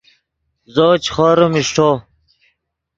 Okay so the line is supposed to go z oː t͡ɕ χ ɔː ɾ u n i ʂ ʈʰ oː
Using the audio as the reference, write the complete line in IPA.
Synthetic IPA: z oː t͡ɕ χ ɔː ɾ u m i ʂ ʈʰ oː